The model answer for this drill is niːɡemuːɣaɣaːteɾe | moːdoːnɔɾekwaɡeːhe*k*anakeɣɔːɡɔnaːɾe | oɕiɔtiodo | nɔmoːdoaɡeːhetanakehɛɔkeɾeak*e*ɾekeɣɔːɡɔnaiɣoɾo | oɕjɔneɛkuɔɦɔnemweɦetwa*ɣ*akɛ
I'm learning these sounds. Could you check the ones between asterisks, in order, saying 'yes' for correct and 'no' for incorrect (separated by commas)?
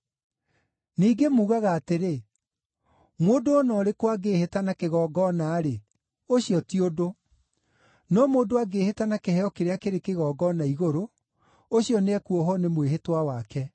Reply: no, yes, no